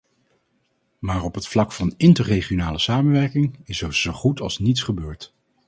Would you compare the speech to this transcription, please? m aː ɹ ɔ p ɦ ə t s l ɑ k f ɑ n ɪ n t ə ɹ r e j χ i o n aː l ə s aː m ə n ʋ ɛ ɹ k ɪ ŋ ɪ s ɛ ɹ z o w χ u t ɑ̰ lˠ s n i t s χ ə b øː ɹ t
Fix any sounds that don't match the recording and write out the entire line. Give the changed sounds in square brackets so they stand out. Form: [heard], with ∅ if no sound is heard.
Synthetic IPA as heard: m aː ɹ ɔ p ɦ ə t [f] l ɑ k f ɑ n ɪ n t ə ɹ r e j χ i o n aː l ə s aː m ə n ʋ ɛ ɹ k ɪ ŋ ɪ s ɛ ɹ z o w χ u t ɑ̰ lˠ s n i t s χ ə b øː ɹ t